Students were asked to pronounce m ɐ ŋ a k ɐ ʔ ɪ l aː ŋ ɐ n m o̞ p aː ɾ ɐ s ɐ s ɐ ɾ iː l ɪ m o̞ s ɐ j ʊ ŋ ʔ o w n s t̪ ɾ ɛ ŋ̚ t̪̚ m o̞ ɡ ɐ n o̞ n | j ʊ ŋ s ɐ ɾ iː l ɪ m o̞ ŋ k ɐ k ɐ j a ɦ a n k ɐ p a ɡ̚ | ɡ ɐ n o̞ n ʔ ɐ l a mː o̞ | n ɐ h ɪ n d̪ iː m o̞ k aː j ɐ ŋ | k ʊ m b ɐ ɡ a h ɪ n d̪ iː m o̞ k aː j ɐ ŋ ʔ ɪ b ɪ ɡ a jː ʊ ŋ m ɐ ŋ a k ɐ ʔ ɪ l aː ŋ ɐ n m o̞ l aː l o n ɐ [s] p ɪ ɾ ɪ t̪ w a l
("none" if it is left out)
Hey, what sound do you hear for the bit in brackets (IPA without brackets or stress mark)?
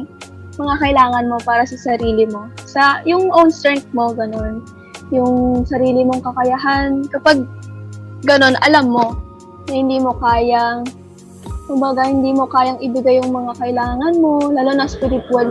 s